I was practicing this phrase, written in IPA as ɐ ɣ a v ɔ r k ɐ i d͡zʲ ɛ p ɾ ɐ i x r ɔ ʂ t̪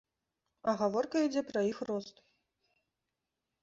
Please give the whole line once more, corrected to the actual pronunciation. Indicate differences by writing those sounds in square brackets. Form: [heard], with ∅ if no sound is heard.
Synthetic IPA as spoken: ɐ ɣ a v ɔ r k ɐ i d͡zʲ ɛ p ɾ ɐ i x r ɔ [s] t̪